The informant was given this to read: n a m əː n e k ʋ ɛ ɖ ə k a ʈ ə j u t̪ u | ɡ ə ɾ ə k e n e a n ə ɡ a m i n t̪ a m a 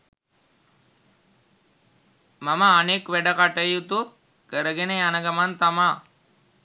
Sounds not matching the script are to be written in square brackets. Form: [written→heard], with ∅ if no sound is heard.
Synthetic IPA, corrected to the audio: [n→m] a m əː n e k ʋ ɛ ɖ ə k a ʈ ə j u t̪ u | [ɡ→k] ə ɾ ə [k→ɡ] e n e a n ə ɡ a m [i→a] n t̪ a m a